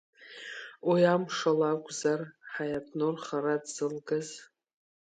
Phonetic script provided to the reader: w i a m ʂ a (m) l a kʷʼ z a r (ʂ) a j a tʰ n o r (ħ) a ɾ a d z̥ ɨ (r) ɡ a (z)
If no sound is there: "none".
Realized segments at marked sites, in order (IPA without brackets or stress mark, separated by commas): none, ħ, χ, l, z